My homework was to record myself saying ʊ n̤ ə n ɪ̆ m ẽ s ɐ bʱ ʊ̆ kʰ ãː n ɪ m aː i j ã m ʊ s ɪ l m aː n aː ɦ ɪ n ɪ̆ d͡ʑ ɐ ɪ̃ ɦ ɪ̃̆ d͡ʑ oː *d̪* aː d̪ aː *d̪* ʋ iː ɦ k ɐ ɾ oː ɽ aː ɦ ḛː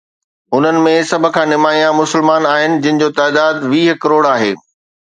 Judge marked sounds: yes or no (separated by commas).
no, yes